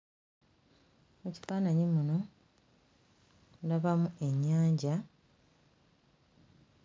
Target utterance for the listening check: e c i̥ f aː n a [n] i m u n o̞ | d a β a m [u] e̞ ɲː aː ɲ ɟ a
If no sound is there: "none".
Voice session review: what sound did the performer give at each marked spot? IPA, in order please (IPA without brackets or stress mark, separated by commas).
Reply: ɲ, u